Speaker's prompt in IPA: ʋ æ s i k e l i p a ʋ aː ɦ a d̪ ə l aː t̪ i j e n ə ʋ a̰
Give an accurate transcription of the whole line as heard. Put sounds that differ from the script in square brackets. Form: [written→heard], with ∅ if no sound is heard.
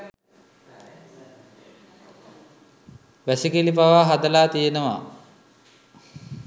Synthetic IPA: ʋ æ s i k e l i p a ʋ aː ɦ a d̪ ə l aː t̪ i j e n ə ʋ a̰